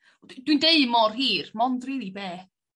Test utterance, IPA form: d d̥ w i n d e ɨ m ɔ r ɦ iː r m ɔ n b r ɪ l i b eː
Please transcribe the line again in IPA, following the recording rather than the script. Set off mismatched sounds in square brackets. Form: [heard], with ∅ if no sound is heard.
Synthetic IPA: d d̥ w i n d e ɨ m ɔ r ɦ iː r m ɔ n [d] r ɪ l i b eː